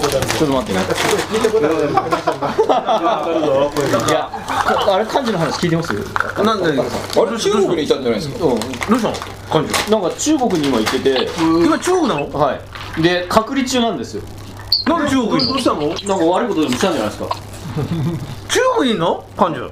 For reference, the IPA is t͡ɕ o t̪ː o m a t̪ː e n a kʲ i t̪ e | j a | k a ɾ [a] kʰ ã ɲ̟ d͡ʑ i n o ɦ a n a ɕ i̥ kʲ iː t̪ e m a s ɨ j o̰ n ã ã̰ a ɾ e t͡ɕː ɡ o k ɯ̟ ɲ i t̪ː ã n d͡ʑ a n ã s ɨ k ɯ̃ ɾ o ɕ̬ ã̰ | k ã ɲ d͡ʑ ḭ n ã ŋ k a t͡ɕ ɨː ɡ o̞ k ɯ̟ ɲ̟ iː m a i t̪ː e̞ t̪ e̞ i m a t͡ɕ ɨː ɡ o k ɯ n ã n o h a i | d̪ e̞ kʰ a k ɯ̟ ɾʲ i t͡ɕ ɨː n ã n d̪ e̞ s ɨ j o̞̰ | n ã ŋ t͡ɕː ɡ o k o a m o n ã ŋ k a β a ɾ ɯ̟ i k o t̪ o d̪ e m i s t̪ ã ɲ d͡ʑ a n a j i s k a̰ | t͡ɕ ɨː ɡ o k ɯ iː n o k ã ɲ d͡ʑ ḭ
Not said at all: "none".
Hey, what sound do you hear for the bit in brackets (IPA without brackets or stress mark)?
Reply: e